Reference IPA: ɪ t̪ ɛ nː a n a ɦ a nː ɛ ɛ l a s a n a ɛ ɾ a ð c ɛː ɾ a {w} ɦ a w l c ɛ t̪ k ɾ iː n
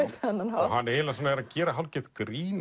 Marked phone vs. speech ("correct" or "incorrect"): incorrect